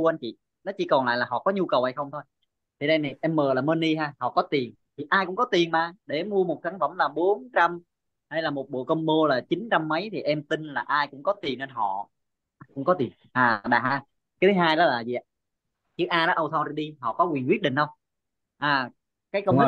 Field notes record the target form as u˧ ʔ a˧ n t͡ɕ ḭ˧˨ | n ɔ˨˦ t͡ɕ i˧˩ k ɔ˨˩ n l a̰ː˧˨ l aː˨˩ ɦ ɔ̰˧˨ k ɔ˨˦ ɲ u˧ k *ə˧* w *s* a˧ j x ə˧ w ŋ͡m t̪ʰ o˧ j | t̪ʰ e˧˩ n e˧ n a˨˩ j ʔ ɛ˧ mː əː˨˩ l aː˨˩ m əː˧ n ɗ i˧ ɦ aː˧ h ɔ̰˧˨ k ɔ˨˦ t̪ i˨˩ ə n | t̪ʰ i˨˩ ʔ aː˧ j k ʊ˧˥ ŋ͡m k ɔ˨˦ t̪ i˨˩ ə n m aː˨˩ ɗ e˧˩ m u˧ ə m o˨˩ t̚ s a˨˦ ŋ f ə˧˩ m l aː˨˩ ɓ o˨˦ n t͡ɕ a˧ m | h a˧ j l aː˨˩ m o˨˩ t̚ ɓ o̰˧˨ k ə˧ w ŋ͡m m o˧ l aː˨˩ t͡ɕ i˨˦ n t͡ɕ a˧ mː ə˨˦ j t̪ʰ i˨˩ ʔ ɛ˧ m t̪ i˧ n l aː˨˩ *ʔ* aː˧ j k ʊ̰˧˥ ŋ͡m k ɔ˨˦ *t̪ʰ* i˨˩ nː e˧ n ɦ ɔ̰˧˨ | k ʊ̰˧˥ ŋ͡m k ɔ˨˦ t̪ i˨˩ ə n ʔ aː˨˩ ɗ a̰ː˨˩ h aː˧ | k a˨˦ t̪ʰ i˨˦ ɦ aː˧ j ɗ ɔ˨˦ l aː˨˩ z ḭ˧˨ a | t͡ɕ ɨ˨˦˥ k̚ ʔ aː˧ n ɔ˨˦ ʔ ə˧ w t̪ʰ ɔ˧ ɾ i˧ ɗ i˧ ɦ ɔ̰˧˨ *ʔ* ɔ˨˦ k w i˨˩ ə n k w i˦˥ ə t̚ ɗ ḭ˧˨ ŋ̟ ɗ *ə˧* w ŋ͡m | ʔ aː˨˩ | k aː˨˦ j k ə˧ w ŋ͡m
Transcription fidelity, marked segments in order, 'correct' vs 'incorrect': incorrect: ə˨˩, incorrect: h, correct, incorrect: t̪, incorrect: k, correct

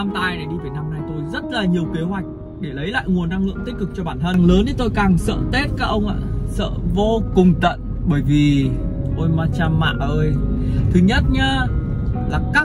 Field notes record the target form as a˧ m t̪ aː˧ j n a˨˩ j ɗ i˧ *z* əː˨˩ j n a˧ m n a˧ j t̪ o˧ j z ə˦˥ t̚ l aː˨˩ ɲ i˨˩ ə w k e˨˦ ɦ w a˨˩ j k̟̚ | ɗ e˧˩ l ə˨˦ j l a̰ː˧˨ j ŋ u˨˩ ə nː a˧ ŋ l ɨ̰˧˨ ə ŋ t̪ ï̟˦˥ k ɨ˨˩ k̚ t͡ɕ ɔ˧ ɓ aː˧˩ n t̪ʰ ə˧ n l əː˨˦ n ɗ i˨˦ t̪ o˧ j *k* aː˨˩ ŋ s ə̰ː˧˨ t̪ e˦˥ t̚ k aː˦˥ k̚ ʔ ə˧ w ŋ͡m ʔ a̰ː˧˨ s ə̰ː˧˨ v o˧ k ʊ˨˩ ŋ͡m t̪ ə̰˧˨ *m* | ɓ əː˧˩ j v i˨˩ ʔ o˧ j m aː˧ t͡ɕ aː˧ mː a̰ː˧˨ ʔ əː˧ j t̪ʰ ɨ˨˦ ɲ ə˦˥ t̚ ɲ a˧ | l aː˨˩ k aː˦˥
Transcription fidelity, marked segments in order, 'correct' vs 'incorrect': incorrect: v, correct, incorrect: n

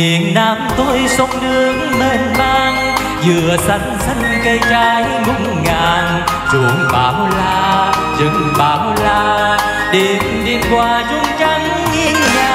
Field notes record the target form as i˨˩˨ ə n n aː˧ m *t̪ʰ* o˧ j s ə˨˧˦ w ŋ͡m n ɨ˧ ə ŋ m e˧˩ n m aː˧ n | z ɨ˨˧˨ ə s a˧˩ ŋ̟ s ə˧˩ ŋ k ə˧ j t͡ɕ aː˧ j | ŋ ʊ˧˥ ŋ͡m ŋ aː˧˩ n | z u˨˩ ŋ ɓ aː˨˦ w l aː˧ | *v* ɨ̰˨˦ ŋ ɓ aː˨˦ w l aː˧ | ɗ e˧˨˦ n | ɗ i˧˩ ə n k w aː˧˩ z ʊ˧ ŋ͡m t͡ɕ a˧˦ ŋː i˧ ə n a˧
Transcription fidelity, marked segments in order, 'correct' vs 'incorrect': incorrect: t̪, incorrect: z

